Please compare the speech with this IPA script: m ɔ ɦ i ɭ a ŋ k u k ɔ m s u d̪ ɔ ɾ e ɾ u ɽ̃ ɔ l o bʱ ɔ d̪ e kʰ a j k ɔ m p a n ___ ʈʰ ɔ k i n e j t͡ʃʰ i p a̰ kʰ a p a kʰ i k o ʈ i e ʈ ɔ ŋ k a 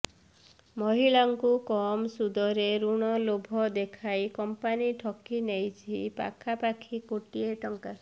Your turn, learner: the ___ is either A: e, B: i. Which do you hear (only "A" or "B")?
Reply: B